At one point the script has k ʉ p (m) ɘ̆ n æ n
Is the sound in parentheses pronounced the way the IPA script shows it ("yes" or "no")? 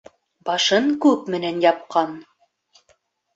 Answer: yes